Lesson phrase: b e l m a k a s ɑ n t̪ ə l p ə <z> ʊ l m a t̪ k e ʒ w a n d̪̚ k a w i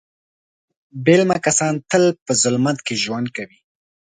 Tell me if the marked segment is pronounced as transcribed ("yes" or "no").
yes